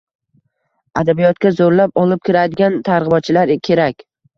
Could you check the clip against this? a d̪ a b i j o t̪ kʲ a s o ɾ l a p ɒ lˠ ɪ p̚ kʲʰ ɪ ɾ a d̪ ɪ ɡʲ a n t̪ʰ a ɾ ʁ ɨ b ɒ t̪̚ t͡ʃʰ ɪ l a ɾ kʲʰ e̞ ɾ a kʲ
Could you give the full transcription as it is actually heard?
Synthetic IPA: a d̪ a b i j ɒ t̪ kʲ a z o ɾ l a p ɒ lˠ ɪ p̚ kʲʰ ɪ ɾ a d̪ ɪ ɡʲ a n t̪ʰ a ɾ ʁ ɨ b ɒ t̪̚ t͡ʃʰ ɪ l a ɾ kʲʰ e̞ ɾ a kʲ

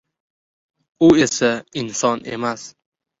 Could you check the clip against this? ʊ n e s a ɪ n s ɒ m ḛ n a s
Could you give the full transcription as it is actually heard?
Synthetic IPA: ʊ e s a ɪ n s ɒ n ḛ m a s

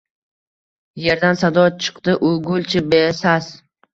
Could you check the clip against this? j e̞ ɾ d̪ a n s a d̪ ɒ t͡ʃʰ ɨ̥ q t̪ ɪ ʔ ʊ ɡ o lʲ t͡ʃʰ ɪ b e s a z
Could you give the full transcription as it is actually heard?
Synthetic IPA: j e̞ ɾ d̪ a n s a d̪ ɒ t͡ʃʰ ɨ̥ q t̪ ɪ ʔ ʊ ɡ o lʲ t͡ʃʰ ɪ b e s a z

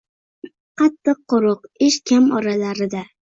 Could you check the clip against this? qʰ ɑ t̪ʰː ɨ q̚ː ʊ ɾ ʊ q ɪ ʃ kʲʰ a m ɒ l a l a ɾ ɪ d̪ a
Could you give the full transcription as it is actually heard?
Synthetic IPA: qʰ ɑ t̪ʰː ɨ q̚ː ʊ ɾ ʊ q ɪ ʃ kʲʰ a m ɒ ɾ a l a ɾ ɪ d̪ a

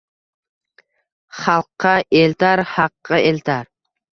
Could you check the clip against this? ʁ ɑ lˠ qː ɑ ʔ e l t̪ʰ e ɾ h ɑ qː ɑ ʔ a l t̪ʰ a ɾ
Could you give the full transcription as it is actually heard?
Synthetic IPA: χ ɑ lˠ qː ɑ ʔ e l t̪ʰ a ɾ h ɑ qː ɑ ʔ e l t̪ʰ a ɾ

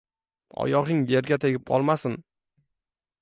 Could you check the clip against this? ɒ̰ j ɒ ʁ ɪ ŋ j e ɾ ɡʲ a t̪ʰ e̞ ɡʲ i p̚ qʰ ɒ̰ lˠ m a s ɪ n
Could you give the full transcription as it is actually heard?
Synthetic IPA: ɒ̰ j ɒ ʁ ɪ ŋ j e ɾ ɡʲ a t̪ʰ e̞ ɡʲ ɪ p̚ qʰ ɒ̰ lˠ m a s ɪ n

